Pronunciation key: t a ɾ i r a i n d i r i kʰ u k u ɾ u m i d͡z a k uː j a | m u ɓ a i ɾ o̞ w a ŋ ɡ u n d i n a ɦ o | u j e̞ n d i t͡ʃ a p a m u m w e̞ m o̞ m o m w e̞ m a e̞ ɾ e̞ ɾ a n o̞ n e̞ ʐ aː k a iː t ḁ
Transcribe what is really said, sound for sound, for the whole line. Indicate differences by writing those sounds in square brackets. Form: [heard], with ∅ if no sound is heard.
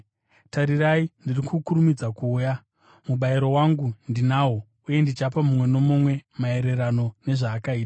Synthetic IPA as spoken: t a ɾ i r a i n d i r i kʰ u k u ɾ u m i d͡z a k uː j a | m u ɓ a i ɾ o̞ w a ŋ ɡ u n d i n a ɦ o | u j e̞ n d i t͡ʃ a p a m u m w e̞ [n] o̞ m o m w e̞ m a e̞ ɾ e̞ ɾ a n o̞ n e̞ ʐ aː k a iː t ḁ